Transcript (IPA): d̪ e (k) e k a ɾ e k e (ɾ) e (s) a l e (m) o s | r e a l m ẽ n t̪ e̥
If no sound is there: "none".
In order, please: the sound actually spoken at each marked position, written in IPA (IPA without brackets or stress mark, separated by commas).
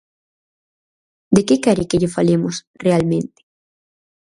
k, ʎ, f, m